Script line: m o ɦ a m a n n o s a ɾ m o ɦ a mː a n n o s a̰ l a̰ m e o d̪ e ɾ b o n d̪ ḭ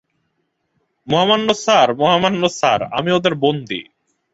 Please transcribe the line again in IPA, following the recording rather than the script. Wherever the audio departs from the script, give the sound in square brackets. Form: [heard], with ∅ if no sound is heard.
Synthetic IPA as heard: m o ɦ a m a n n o s a ɾ m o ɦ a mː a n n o s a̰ [ɾ] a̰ m [i] o d̪ e ɾ b o n d̪ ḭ